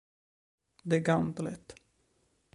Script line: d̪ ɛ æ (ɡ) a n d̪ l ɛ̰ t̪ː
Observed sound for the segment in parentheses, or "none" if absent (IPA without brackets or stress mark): ɡ